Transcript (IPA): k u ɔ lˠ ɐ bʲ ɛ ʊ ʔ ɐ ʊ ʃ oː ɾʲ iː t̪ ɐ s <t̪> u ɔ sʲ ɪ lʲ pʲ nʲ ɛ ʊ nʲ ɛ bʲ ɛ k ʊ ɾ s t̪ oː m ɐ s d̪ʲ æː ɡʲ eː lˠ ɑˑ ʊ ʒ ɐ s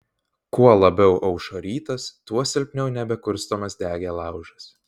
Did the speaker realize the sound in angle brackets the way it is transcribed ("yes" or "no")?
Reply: yes